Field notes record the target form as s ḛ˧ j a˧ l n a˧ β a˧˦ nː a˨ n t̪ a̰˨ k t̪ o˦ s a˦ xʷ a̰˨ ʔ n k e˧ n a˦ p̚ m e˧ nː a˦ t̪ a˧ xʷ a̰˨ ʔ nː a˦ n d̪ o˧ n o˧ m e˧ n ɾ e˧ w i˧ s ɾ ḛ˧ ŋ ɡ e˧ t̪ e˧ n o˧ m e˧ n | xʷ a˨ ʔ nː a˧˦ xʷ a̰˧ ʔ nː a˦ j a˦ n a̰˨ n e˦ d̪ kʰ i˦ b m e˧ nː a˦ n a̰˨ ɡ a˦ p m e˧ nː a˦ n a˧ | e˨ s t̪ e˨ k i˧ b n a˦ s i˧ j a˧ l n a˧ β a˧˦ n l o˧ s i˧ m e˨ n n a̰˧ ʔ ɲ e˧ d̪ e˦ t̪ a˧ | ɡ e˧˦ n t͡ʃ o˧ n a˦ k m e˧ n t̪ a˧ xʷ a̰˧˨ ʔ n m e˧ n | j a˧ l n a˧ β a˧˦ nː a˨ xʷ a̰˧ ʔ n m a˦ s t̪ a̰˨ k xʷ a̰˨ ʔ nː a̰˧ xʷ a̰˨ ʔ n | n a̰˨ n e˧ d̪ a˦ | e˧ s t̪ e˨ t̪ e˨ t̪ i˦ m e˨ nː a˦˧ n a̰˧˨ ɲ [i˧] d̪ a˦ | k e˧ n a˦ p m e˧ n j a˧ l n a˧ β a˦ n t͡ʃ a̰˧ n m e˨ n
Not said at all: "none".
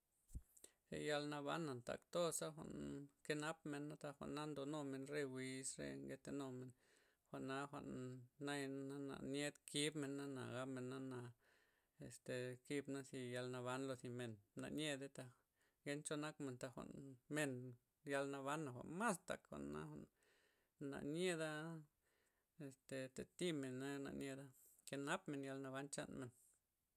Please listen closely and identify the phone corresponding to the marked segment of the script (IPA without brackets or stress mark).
e˧